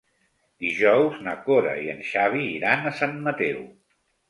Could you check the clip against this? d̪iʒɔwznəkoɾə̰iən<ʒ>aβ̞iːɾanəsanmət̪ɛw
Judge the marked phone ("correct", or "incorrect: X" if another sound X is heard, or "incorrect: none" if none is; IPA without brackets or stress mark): incorrect: ʃ